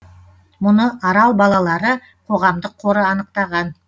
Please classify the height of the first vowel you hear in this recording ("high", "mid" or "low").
high